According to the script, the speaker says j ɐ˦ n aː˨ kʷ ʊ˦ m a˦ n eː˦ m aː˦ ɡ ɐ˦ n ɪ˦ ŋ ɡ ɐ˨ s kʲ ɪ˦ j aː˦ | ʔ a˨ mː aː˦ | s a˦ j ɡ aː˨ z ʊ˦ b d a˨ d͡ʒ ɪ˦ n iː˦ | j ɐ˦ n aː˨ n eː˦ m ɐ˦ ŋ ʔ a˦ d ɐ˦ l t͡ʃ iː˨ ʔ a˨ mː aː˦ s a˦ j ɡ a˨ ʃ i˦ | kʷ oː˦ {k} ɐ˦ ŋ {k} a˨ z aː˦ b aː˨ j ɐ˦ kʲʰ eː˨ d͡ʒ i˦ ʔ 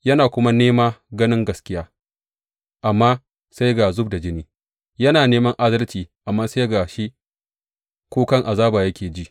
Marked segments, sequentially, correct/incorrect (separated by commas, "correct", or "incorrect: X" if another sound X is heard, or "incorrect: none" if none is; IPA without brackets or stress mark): correct, incorrect: ʔ